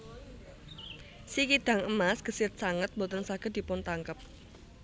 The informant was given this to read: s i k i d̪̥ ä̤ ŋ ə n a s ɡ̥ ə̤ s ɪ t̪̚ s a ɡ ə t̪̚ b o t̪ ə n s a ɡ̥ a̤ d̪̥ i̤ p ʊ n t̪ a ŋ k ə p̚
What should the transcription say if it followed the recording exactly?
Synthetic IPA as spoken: s i k i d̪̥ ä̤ ŋ ə m a s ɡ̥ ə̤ s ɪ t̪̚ s a ŋ ə t̪̚ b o t̪ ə n s a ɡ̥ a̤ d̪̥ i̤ p ʊ n t̪ a ŋ k ə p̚